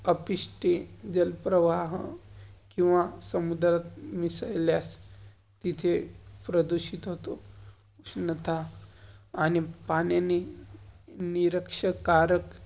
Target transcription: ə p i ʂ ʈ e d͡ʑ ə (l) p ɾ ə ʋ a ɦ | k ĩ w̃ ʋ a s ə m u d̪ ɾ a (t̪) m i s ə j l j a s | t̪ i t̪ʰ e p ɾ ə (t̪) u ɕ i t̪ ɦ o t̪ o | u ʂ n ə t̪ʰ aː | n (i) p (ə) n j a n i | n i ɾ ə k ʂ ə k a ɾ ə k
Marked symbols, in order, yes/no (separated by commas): yes, yes, no, yes, no